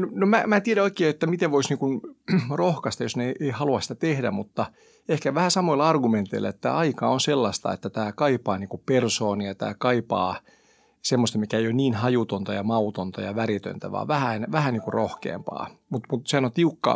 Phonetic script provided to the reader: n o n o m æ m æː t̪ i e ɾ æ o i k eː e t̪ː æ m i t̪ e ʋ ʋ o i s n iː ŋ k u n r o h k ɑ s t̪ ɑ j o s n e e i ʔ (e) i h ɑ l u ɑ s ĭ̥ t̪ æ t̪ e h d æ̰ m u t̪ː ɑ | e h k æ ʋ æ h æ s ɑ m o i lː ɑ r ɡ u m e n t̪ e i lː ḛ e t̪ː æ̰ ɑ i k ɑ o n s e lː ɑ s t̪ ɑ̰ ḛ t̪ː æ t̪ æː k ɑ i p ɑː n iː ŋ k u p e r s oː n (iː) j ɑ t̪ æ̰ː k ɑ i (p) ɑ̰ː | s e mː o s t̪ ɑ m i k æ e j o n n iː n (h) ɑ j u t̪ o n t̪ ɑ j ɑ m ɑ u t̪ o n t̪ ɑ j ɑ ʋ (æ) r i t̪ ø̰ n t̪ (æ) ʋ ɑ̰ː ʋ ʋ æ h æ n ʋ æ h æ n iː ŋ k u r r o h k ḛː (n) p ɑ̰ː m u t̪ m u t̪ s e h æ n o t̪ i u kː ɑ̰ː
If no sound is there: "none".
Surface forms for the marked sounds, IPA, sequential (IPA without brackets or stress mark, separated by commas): e, i, p, h, æ, æ, m